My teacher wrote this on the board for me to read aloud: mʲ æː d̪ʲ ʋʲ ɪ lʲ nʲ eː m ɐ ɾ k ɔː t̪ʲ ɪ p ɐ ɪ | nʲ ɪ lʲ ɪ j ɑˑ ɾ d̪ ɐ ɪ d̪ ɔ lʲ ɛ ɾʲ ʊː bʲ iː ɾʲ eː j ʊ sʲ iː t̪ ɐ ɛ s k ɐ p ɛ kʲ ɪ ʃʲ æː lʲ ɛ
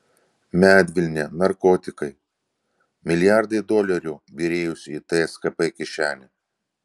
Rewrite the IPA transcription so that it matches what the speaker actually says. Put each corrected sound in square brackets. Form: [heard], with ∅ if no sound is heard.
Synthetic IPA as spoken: mʲ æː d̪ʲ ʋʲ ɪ lʲ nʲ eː [n] ɐ ɾ k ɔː t̪ʲ ɪ [k] ɐ ɪ | [mʲ] ɪ lʲ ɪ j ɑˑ ɾ d̪ ɐ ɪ d̪ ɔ lʲ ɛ ɾʲ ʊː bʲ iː ɾʲ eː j ʊ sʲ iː t̪ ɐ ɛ s k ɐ p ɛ kʲ ɪ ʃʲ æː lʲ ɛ